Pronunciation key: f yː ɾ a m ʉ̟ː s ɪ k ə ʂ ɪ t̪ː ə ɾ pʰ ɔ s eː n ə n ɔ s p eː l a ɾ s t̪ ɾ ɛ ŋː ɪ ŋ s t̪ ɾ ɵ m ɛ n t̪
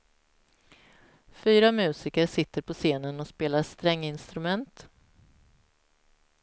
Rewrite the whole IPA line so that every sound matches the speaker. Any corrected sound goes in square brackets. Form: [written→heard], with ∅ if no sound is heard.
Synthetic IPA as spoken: f yː ɾ a m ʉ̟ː s ɪ k ə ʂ ɪ t̪ː ə ɾ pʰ ɔ s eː n ə n ɔ s p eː l a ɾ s t̪ ɾ ɛ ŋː ɪ [ŋ→n] s t̪ ɾ ɵ m ɛ n t̪